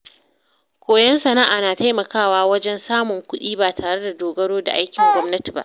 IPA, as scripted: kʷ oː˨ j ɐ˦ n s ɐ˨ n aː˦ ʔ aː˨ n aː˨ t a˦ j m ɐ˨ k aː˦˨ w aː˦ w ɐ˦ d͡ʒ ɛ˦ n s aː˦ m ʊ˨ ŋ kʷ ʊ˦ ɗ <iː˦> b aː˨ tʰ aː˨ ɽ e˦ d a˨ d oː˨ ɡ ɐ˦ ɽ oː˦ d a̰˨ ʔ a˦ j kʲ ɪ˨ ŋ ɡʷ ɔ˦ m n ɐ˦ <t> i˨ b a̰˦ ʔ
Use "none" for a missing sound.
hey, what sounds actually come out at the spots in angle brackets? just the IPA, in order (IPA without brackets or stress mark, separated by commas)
iː˦, t